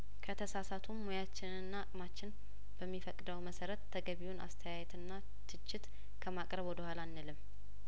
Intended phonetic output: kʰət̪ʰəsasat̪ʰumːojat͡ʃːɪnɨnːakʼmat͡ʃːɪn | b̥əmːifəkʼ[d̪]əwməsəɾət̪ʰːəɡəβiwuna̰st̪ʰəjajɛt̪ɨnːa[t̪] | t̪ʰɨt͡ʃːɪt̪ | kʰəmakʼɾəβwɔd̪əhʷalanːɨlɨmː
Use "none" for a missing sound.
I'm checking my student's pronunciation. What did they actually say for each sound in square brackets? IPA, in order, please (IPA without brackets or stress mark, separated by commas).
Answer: d̪, none